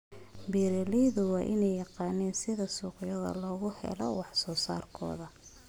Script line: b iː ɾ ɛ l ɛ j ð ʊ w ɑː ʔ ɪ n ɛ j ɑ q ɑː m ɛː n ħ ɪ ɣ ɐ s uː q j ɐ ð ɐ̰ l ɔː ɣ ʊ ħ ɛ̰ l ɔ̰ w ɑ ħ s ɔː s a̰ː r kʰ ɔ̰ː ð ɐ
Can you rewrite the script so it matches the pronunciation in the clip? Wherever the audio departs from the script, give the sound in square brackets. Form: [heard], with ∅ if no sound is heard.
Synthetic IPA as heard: b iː ɾ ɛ l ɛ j ð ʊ w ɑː ʔ ɪ n ɛ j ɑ q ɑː [n] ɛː n [s] ɪ [ð] ɐ s uː q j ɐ ð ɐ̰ l ɔː ɣ ʊ [h] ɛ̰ l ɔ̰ w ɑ ħ s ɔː s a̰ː r kʰ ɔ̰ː ð ɐ